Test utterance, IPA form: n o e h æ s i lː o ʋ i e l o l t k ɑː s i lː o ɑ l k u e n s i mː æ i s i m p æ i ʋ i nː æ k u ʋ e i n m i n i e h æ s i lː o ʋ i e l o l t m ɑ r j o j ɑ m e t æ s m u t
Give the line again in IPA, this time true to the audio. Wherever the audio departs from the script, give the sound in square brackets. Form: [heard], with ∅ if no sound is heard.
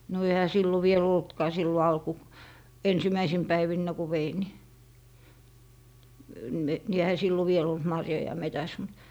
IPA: n o e h æ s i lː o ʋ i e l o l t k ɑː s i lː o ɑ l k u e n s i [m] æ i s i m p æ i ʋ i nː æ k u ʋ e i n [n] i n i e h æ s i lː o ʋ i e l o l t m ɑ r j o j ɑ m e t æ s m u t